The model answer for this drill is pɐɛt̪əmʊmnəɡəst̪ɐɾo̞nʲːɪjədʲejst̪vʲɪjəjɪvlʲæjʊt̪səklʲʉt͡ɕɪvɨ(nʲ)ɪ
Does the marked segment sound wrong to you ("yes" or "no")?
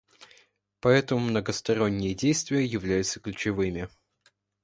yes